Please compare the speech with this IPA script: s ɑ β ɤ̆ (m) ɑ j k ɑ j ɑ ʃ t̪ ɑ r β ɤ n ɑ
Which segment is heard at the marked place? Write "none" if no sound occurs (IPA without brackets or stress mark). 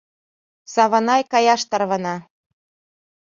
n